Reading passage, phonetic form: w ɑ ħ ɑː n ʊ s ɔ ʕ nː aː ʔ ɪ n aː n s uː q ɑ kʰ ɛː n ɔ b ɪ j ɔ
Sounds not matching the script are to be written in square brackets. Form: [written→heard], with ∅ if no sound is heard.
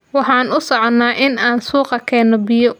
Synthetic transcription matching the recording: w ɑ ħ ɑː n ʊ s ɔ ʕ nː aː ʔ ɪ n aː n s uː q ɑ kʰ ɛː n ɔ b ɪ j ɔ

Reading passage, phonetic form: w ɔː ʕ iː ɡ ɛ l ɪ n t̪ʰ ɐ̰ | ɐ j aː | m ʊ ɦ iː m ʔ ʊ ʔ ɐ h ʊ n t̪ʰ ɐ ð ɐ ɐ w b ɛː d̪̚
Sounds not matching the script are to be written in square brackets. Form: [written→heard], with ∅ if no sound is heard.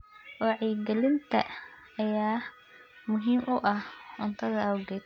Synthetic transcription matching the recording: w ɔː ʕ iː ɡ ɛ l ɪ n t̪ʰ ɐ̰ | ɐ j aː | m ʊ ɦ iː m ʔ ʊ ʔ ɐ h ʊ n t̪ʰ ɐ ð ɐ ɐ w [b→ɡ] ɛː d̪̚

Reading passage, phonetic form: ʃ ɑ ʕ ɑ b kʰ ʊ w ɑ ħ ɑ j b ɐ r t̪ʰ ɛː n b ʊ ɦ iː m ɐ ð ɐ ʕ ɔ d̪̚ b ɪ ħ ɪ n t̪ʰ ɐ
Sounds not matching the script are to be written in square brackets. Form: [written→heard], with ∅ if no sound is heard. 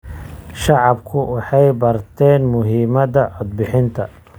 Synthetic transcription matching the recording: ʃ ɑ ʕ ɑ b kʰ ʊ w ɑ ħ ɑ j b ɐ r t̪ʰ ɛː n [b→m] ʊ ɦ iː m ɐ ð ɐ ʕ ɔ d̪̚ b ɪ ħ ɪ n t̪ʰ ɐ

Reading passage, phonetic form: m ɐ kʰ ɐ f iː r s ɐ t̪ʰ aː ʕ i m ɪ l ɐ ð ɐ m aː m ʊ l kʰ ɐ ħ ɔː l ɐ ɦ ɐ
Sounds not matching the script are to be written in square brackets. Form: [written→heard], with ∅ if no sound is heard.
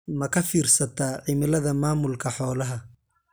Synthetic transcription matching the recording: m ɐ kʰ ɐ f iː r s ɐ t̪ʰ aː ʕ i m ɪ l ɐ ð ɐ m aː m ʊ l kʰ ɐ ħ ɔː l ɐ ɦ ɐ

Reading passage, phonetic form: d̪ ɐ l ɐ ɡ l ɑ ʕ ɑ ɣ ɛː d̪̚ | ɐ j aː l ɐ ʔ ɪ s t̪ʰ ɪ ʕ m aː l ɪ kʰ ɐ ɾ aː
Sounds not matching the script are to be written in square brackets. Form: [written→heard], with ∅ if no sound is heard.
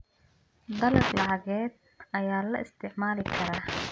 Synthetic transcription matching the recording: d̪ ɐ l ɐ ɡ l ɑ ʕ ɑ ɣ ɛː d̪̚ | ɐ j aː l ɐ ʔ ɪ s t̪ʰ ɪ ʕ m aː l ɪ kʰ ɐ ɾ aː

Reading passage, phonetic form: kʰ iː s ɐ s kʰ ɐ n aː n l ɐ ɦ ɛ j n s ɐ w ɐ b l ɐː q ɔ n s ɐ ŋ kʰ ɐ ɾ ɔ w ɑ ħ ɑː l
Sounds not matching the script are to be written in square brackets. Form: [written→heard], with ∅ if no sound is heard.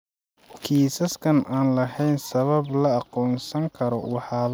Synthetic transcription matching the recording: kʰ iː s ɐ s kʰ ɐ n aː n l ɐ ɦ ɛ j n s ɐ [w→β] ɐ b l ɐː q [ɔ→ɔː] n s ɐ ŋ kʰ ɐ ɾ ɔ w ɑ ħ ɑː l

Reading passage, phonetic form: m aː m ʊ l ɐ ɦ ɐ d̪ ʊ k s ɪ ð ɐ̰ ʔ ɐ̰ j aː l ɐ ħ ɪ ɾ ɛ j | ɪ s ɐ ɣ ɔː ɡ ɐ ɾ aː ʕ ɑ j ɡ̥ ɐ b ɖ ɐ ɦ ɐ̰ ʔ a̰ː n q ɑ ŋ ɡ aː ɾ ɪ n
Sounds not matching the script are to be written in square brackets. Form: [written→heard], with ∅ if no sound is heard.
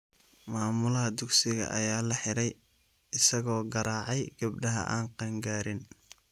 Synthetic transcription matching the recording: m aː m ʊ l ɐ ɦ ɐ d̪ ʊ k s ɪ [ð→ɣ] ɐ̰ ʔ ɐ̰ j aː l ɐ ħ ɪ ɾ ɛ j | ɪ s ɐ ɣ ɔː ɡ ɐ ɾ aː ʕ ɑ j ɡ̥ ɐ b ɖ ɐ ɦ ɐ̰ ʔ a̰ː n q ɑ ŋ ɡ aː ɾ ɪ n

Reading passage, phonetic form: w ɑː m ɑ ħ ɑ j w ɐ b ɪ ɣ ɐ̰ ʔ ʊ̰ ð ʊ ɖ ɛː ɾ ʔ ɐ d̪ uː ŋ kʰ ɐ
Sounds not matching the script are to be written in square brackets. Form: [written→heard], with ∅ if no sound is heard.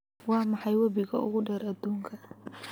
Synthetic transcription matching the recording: w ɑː m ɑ ħ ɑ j w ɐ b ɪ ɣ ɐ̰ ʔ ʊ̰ [ð→ɣ] ʊ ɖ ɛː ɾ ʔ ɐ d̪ uː ŋ kʰ ɐ

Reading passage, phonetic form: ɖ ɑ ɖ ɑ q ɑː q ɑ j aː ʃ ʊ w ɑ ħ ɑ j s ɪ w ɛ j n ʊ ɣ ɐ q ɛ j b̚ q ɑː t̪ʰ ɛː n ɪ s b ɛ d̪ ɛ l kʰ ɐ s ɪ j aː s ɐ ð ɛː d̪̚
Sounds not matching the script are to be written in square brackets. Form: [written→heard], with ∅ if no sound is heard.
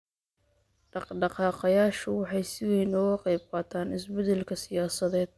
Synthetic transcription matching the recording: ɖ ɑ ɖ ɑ q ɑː q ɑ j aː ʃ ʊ w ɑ ħ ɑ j s ɪ w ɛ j n ʊ ɣ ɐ q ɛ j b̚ q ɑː t̪ʰ [ɛː→aː] n ɪ s b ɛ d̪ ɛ l kʰ ɐ s ɪ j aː s ɐ ð ɛː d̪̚

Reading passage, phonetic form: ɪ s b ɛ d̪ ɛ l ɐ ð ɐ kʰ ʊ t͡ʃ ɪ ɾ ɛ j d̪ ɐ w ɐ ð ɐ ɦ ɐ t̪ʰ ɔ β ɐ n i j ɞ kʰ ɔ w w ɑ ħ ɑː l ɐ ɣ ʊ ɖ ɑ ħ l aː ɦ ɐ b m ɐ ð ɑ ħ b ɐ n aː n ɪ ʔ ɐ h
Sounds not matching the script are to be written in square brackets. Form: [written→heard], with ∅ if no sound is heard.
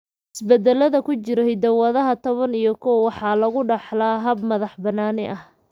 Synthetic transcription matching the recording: ɪ s b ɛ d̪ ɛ l ɐ ð ɐ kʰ ʊ t͡ʃ ɪ ɾ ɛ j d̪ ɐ w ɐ ð ɐ ɦ ɐ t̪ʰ ɔ β ɐ n i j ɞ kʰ ɔ w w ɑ ħ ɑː l ɐ ɣ ʊ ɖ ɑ ħ l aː ɦ ɐ b m ɐ ð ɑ ħ b ɐ n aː n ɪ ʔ ɐ h

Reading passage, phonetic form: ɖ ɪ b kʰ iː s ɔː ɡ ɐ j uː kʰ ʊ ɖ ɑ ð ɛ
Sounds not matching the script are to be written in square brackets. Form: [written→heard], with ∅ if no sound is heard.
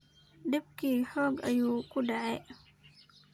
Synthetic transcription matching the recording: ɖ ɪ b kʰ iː [s→ħ] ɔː ɡ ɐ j uː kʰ ʊ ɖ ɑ [ð→ʕ] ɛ

